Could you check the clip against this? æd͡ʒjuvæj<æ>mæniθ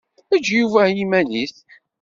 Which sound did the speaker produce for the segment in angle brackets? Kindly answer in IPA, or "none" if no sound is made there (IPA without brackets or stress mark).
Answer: i